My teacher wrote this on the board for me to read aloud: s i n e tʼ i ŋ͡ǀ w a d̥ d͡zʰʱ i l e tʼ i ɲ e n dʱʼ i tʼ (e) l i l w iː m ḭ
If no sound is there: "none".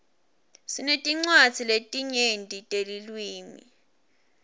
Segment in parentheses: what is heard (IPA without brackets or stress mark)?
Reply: e